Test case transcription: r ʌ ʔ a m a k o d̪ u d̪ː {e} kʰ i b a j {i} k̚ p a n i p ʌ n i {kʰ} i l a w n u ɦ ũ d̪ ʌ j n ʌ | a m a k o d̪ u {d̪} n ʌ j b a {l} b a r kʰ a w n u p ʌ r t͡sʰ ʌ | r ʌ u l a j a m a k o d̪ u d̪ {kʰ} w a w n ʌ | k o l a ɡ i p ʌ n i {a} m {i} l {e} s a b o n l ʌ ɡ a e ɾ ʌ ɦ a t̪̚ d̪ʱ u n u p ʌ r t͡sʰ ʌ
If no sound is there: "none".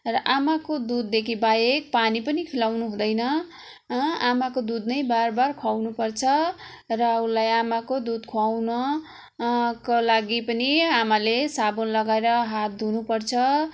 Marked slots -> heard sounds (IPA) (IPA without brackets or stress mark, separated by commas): e, e, kʰ, d̪, r, kʰ, a, a, e